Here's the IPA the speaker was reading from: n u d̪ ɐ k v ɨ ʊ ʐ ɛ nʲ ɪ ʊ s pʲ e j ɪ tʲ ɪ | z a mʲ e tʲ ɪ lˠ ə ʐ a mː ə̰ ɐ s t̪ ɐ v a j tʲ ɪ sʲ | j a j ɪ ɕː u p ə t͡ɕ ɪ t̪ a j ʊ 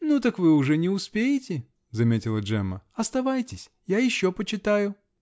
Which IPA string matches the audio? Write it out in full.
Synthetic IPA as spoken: n u t̪ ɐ k v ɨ ʊ ʐ ɛ nʲ ɪ ʊ s pʲ e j ɪ tʲ ɪ | z ɐ mʲ e tʲ ɪ lˠ ə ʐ ɛ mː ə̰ ɐ s t̪ ɐ v a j tʲ ɪ sʲ | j a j ɪ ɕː o p ə t͡ɕ ɪ t̪ a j ʊ

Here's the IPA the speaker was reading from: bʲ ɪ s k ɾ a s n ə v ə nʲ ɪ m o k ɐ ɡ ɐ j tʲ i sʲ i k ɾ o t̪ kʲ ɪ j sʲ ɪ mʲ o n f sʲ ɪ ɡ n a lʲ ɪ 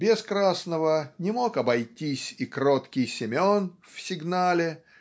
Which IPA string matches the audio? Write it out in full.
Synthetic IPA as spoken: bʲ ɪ s k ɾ a s n ə v ə nʲ ɪ m o k ɐ b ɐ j tʲ i sʲ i k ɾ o t̪ kʲ ɪ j sʲ ɪ mʲ o n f sʲ ɪ ɡ n a lʲ ɪ

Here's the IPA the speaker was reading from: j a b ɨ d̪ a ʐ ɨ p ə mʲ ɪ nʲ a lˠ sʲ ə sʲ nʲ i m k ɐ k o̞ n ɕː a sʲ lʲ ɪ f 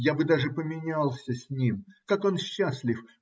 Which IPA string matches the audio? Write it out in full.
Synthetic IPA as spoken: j a b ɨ d̪ a ʐ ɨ p ə mʲ ɪ nʲ a lˠ sʲ ə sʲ nʲ i m k a k o̞ n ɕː a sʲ lʲ ɪ f

